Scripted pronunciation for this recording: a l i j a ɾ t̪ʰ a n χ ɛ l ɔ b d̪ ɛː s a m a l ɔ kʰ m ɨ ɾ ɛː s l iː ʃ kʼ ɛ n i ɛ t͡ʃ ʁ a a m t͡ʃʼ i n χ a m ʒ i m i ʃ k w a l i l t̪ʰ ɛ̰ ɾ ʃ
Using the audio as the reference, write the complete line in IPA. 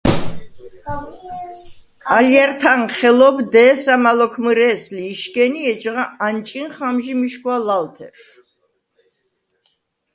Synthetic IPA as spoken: a l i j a ɾ t̪ʰ a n χ ɛ l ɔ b d̪ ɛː s a m a l ɔ kʰ m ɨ ɾ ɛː s l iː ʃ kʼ ɛ n i ɛ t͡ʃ ʁ a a n t͡ʃʼ i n χ a m ʒ i m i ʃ k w a l a l t̪ʰ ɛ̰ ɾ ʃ